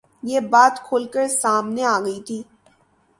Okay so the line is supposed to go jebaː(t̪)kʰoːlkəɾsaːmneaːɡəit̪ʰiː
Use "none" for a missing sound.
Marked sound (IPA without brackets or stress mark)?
t̪